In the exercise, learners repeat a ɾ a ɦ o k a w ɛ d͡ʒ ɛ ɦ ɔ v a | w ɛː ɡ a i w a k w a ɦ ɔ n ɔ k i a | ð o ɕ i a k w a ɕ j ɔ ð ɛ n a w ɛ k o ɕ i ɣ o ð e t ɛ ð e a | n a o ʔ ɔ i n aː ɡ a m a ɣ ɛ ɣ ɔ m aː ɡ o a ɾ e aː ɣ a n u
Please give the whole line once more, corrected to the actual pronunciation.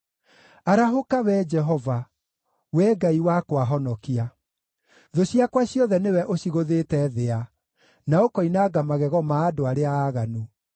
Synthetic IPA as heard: a ɾ a ɦ o k a w ɛ d͡ʒ ɛ ɦ ɔ v a | w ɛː ɡ a i w a k w a ɦ ɔ n ɔ k i a | ð o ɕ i a k w a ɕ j ɔ ð ɛ n e w ɛ ʔ o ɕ i ɣ o ð e t ɛ ð e a | n a o k ɔ i n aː ɡ a m a ɣ ɛ ɣ ɔ m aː d o a ɾ e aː ɣ a n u